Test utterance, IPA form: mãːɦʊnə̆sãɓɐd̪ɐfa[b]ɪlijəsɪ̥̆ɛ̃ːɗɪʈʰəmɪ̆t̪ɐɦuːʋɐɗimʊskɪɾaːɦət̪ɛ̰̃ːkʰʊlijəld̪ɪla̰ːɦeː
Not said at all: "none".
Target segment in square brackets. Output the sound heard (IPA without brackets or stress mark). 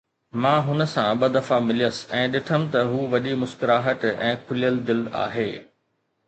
m